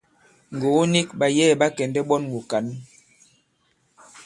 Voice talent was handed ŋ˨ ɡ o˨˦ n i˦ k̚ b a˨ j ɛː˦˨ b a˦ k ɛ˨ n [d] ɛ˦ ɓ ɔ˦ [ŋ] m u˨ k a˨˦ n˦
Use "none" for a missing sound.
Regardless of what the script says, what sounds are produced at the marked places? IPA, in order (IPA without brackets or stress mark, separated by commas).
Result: d, n